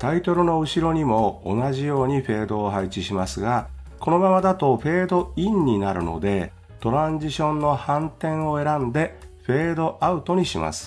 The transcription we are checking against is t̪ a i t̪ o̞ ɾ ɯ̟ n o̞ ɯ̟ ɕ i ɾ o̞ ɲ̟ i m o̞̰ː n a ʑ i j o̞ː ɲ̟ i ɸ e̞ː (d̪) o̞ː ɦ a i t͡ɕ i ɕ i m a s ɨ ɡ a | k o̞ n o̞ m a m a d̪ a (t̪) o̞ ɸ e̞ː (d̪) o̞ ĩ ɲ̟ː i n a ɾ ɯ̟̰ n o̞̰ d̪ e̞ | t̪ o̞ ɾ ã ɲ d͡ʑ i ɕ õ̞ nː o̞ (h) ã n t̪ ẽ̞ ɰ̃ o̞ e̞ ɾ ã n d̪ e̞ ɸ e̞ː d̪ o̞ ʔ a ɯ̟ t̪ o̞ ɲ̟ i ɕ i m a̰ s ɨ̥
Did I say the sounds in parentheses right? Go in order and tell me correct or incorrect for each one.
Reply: correct, correct, correct, correct

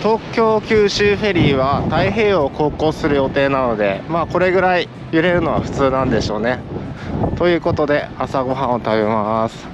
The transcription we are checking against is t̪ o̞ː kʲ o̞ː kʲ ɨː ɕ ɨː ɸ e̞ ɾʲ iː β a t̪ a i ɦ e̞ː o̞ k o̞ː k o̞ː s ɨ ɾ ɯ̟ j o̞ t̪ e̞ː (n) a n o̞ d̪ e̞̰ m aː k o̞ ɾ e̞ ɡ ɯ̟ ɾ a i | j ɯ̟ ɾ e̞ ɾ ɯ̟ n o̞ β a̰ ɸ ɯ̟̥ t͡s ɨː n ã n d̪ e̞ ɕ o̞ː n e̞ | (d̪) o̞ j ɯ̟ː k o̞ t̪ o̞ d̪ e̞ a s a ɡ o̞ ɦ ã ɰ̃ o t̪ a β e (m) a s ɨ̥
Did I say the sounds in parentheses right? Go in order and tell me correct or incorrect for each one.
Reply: correct, incorrect: t̪, correct

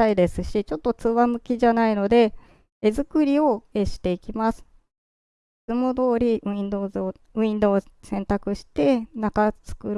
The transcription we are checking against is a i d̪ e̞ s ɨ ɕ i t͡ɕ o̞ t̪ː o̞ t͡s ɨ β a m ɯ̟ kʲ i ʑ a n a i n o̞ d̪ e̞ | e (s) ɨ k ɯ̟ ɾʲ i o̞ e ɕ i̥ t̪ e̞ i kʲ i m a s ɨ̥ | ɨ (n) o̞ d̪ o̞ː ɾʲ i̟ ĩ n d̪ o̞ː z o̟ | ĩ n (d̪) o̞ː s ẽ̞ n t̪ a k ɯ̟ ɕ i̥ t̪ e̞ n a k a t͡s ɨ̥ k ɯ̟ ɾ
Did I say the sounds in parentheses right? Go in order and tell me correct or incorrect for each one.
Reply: incorrect: z, incorrect: m, correct

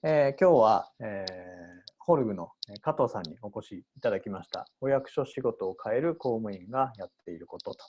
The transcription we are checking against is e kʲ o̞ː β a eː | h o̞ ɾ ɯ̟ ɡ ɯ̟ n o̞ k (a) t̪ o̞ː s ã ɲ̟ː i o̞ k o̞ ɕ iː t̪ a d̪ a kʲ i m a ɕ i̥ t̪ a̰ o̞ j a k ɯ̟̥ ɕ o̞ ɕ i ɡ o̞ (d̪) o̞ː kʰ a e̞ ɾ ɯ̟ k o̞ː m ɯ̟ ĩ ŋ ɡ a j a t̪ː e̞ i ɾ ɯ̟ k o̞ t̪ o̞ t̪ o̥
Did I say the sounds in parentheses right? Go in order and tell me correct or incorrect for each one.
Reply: correct, incorrect: t̪

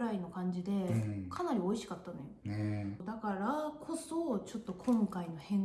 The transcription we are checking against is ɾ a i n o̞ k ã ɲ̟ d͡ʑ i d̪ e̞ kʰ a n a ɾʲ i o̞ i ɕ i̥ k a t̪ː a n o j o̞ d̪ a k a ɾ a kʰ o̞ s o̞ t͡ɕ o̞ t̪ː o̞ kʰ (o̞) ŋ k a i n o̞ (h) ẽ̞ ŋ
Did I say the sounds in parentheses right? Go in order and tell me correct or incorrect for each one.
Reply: incorrect: õ̞, correct

